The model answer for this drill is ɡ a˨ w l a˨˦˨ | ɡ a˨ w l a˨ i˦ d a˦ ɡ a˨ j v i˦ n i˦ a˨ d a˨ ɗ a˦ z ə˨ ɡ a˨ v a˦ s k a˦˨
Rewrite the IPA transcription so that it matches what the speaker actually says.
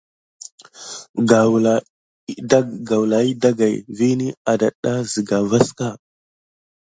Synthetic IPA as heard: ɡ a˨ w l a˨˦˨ | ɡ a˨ w l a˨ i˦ d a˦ ɡ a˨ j v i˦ n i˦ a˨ d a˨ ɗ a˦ z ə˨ ɡ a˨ v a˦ s k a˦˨

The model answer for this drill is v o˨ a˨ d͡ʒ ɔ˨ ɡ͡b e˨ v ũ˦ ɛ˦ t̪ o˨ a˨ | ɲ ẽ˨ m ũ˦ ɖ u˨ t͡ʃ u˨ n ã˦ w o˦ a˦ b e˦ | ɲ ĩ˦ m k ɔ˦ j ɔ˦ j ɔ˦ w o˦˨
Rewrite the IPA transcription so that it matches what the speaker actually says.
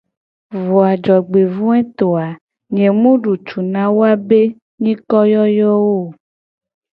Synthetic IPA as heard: v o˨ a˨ d͡ʒ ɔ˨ ɡ͡b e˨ v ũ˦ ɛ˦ t̪ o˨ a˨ | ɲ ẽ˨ m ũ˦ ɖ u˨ t͡ʃ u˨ n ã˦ w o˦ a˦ b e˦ | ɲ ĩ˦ k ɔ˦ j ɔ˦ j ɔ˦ w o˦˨

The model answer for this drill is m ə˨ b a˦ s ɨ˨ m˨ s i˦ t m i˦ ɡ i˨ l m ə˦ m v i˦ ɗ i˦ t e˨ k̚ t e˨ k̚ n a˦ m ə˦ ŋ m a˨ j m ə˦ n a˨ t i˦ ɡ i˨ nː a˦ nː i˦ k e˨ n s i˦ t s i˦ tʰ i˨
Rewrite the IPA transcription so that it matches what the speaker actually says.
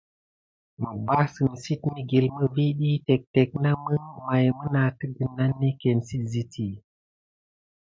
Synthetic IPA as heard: m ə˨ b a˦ s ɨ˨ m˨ s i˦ t m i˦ ɡ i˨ l m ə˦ v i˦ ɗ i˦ t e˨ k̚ t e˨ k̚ n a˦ m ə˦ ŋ m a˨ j m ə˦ n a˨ t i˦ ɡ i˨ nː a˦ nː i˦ k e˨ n s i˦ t z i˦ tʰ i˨

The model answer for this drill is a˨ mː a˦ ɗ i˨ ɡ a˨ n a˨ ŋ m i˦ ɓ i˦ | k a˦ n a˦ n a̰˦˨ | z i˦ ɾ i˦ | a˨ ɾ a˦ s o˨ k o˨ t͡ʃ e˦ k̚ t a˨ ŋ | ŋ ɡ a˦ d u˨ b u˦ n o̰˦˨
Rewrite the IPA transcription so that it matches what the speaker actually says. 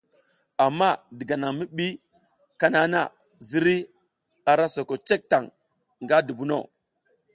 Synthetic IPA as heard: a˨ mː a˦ d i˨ ɡ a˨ n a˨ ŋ m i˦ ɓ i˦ | k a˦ n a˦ n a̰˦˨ | z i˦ ɾ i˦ | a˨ ɾ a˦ s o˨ k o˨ t͡ʃ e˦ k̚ t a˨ ŋ | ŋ ɡ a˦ d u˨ b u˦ n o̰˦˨

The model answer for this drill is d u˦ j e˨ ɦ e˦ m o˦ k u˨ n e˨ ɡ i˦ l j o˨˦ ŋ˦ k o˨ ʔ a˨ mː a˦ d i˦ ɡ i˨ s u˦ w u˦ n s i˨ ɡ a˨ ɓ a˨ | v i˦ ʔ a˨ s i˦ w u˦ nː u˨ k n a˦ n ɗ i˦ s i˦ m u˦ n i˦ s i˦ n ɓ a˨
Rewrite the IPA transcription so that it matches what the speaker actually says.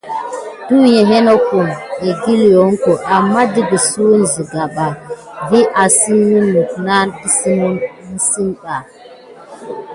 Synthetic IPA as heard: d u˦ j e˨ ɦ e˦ n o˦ k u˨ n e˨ ɡ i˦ l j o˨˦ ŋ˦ k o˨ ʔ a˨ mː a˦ d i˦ ɡ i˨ s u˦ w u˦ n z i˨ ɡ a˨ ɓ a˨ | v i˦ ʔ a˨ s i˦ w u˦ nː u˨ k n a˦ n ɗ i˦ s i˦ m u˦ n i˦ s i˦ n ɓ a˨

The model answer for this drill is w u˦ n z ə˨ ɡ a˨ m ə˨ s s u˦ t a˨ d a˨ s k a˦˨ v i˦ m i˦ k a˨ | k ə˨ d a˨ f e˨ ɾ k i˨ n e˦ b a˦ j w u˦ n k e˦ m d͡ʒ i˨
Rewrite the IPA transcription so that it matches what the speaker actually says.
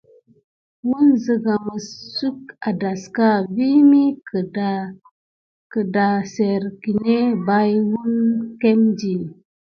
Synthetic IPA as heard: w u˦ n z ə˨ ɡ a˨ m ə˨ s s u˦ k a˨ d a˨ s k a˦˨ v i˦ m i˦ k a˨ | k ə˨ d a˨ s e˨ ɾ k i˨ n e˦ b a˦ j w u˦ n k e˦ m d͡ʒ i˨

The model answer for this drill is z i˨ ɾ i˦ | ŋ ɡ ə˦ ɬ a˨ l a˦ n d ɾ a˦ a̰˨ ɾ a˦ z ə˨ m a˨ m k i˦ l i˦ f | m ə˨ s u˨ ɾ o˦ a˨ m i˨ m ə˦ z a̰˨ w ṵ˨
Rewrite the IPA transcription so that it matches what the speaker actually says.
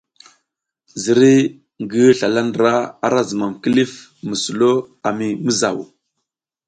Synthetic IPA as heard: z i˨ ɾ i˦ | ŋ ɡ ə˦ ɬ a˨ l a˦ n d ɾ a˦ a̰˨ ɾ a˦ z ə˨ m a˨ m k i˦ l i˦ f | m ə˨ s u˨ l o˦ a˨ m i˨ m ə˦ z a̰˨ w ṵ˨

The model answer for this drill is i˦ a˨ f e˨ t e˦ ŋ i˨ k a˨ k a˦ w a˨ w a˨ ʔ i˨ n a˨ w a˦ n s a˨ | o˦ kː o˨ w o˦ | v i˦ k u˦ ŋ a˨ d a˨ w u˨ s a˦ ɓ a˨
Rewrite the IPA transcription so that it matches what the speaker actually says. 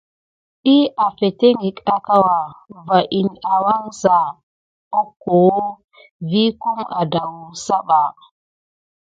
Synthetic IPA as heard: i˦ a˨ f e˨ t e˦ ŋ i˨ k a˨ k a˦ w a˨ v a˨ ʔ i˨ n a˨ w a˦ ŋ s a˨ | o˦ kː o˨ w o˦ | v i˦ k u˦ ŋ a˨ d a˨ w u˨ s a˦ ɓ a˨

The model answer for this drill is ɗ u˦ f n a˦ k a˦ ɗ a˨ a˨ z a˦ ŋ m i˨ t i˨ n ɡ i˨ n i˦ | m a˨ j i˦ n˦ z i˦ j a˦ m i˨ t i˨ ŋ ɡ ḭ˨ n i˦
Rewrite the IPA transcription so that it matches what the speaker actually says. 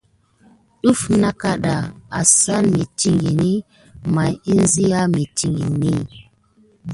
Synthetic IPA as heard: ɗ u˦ f n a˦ k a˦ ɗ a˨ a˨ s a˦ n m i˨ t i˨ ŋ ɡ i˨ n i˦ | m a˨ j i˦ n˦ z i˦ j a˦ m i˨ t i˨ ŋ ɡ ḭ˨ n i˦

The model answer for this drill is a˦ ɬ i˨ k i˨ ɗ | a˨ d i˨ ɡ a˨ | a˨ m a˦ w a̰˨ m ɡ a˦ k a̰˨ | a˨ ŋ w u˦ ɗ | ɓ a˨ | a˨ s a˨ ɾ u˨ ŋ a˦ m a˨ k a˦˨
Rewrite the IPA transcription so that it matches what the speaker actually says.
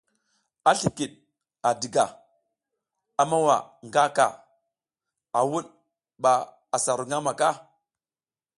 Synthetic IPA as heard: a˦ ɬ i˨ k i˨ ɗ | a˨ d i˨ ɡ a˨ | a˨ m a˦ w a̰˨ ŋ ɡ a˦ k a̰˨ | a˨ w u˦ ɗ | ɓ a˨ | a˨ s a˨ ɾ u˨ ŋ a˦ m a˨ k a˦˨

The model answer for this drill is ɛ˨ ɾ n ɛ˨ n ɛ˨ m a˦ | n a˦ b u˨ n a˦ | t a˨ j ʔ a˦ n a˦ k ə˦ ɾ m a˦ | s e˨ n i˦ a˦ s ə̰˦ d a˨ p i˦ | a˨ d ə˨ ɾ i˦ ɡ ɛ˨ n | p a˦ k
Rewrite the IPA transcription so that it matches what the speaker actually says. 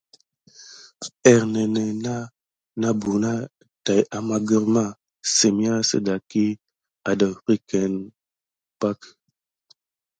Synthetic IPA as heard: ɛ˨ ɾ n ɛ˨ n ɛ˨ n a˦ | n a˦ b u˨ n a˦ | t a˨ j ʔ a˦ m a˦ ɡ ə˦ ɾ m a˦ | s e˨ m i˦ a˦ s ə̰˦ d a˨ k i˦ | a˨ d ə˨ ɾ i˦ k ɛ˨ n | p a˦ k

